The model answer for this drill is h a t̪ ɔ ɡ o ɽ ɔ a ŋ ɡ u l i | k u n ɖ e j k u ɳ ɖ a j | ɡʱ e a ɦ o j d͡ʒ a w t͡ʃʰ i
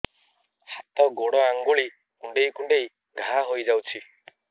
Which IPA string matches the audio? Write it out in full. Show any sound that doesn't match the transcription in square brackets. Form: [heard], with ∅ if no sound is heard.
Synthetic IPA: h a t̪ ɔ ɡ o ɽ ɔ a ŋ ɡ u [ɭ] i | k u [ɳ] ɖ e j k u ɳ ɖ [e] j | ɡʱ [a] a ɦ o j d͡ʒ a w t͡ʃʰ i